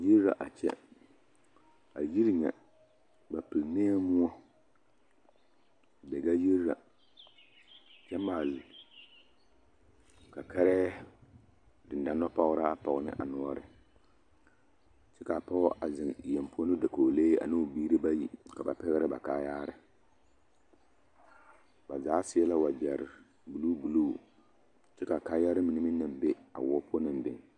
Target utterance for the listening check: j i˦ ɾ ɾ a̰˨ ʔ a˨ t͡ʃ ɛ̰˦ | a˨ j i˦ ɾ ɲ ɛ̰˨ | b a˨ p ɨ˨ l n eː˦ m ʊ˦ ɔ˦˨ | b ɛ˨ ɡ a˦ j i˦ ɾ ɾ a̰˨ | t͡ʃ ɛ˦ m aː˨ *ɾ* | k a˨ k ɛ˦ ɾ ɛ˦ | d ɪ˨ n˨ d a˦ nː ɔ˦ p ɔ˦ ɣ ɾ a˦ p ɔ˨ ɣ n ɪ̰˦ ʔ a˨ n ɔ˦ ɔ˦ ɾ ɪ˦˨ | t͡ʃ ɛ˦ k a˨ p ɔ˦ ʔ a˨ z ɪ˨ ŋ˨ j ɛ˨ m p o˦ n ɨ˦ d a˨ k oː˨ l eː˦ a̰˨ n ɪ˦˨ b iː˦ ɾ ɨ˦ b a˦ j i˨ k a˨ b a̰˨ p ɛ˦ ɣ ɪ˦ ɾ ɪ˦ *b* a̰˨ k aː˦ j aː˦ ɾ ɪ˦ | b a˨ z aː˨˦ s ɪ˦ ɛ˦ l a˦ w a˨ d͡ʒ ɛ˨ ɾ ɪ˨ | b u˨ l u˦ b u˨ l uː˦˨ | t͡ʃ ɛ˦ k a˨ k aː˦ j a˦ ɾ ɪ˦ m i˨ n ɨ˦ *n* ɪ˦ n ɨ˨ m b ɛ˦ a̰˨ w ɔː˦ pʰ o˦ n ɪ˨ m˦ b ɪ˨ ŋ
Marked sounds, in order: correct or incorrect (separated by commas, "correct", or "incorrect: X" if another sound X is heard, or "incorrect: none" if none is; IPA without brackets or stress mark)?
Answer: incorrect: l, correct, incorrect: m